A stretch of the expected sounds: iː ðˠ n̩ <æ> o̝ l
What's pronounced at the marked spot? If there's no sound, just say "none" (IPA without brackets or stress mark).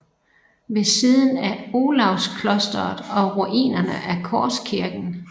æ